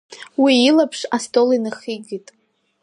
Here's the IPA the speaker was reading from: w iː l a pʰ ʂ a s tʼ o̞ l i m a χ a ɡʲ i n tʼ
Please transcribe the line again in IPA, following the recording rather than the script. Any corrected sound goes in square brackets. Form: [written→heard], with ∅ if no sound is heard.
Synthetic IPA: w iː l a pʰ ʂ a s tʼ o̞ l i [m→n] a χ [a→i] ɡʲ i [n→∅] tʼ